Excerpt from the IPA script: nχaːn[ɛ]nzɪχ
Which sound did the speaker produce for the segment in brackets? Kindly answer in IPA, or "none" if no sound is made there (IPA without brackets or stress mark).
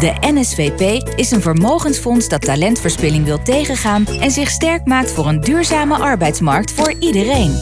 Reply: ɛ